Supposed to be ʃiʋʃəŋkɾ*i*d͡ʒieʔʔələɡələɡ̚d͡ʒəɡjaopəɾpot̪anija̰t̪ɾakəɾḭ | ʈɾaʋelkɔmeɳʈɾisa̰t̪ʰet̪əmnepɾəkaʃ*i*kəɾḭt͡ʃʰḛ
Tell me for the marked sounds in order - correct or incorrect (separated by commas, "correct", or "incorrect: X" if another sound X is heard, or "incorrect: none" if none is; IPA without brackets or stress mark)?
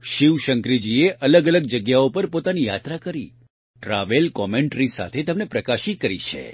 correct, correct